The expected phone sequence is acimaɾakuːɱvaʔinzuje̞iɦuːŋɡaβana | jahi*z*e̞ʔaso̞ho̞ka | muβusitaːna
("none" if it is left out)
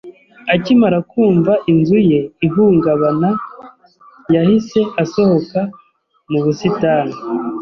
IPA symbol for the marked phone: s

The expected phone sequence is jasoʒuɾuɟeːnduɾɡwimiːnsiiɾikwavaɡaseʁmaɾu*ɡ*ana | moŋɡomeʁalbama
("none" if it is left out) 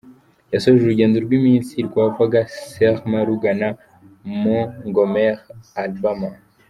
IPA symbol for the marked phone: ɡ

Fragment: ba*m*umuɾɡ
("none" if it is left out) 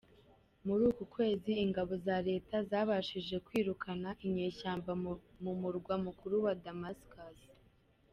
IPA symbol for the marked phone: m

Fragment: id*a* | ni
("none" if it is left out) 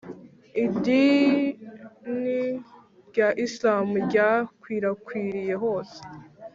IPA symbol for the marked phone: i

